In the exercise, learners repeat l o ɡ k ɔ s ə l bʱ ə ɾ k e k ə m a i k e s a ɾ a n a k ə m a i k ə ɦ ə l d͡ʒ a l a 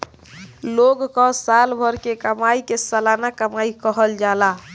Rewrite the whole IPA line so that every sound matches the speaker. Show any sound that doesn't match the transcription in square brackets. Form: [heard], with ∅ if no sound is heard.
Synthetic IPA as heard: l o ɡ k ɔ s [a] l bʱ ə ɾ k e k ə m a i k e s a [l] a n a k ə m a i k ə ɦ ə l d͡ʒ a l a